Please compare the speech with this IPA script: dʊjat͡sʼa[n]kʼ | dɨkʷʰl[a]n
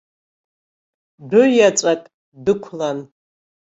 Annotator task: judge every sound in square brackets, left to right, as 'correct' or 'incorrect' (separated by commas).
incorrect, correct